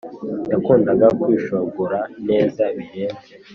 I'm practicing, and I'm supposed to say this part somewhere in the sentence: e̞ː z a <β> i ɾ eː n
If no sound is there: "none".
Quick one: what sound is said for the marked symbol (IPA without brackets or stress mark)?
β